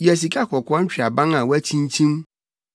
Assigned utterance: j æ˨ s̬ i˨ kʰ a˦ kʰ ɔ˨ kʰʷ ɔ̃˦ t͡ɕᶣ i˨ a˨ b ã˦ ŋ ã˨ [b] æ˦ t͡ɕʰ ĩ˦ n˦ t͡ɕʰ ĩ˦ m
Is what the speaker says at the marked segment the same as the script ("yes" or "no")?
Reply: no